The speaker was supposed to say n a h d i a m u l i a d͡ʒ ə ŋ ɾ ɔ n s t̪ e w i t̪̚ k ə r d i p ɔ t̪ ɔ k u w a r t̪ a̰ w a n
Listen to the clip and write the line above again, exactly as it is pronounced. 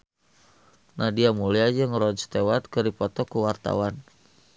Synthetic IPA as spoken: n a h d i a m u l i a d͡ʒ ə ŋ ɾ ɔ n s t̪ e w a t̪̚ k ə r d i p ɔ t̪ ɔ k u w a r t̪ a̰ w a n

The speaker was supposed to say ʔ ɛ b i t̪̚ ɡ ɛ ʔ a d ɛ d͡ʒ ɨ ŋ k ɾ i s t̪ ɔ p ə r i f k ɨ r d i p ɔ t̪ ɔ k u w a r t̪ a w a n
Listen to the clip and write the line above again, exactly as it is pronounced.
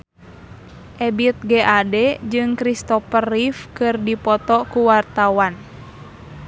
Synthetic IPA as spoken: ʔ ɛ b i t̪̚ ɡ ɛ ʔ a d ɛ d͡ʒ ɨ ŋ k ɾ i s t̪ ɔ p ə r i f k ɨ r d i p ɔ t̪ ɔ k u w a r t̪ a w a n

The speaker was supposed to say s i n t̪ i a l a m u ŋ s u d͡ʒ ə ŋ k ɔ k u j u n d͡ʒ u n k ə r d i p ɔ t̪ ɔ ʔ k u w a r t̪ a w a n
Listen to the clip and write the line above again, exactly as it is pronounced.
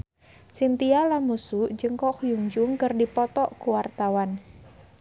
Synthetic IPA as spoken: s i n t̪ i a l a m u s u d͡ʒ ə ŋ k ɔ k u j u ŋ d͡ʒ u ŋ k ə r d i p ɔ t̪ ɔ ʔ k u w a r t̪ a w a n

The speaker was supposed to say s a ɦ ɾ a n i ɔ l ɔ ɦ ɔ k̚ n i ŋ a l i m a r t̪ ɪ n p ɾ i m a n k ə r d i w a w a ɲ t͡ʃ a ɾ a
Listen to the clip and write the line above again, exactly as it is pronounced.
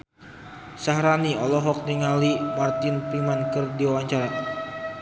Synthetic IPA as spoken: s a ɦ ɾ a n i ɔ l ɔ ɦ ɔ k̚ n i ŋ a l i m a r t̪ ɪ n p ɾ i m a n k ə r d i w a w a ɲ t͡ʃ a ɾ a

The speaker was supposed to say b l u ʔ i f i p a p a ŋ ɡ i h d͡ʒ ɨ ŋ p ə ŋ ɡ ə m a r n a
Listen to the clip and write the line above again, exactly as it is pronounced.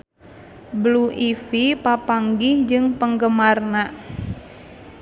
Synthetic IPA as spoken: b l u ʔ i f i p a p a ŋ ɡ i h d͡ʒ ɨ ŋ p ə ŋ ɡ ə m a r n a

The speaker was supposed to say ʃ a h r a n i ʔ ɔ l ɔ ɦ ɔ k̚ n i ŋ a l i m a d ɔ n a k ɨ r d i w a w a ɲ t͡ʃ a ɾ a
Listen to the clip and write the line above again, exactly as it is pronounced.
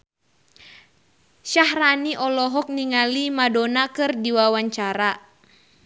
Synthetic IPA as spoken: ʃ a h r a n i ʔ ɔ l ɔ ɦ ɔ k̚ n i ŋ a l i m a d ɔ n a k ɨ r d i w a w a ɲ t͡ʃ a ɾ a

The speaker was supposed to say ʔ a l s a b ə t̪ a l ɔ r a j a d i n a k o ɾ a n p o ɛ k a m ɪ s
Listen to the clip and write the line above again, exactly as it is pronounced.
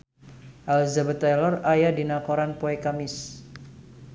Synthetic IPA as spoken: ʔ a l z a b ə t̪ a l ɔ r a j a d i n a k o ɾ a n p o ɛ k a m ɪ s

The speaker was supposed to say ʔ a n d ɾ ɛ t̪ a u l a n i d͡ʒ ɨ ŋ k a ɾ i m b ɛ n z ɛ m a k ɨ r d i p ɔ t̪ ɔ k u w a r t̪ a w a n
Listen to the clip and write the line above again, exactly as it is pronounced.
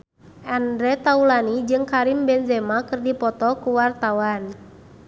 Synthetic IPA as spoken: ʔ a n d ɾ ɛ t̪ a u l a n i d͡ʒ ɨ ŋ k a ɾ i m b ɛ n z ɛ m a k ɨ r d i p ɔ t̪ ɔ k u w a r t̪ a w a n

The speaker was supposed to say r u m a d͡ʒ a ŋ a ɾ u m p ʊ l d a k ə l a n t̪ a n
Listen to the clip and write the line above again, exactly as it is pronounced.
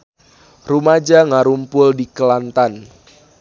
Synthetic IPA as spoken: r u m a d͡ʒ a ŋ a ɾ u m p ʊ l d i k ə l a n t̪ a n

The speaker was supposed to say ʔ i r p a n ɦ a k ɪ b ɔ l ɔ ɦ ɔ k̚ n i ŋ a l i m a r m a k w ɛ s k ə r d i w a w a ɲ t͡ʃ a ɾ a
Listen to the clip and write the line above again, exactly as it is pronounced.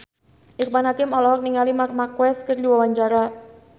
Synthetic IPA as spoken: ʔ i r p a n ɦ a k ɪ m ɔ l ɔ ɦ ɔ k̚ n i ŋ a l i m a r m a k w ɛ s k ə r d i w a w a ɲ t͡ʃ a ɾ a

